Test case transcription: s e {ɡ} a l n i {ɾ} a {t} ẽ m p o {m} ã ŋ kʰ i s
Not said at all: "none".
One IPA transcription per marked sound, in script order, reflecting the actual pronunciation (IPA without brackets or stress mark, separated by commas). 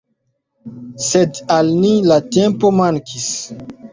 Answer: d, l, t, m